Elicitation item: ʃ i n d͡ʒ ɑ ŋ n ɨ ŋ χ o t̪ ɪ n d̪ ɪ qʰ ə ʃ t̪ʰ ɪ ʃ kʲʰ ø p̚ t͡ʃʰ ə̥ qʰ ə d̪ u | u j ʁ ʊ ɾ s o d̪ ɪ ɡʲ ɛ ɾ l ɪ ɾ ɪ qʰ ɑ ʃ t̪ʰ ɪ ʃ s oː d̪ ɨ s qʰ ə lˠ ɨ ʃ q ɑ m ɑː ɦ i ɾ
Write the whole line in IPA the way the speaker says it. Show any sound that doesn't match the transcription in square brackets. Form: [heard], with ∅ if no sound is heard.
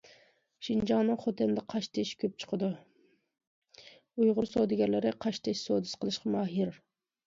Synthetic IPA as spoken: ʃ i n d͡ʒ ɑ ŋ n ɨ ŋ χ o t̪ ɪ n d̪ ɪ qʰ [ɑ] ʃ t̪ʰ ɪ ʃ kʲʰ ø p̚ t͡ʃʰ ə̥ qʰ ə d̪ u | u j ʁ ʊ ɾ s o d̪ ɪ ɡʲ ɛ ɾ l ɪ ɾ ɪ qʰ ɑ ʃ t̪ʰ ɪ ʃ s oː d̪ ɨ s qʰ ə lˠ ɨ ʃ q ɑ m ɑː ɦ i ɾ